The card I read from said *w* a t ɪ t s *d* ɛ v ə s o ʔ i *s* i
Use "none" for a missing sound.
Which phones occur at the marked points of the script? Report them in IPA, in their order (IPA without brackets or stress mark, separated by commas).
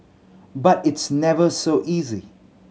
b, n, z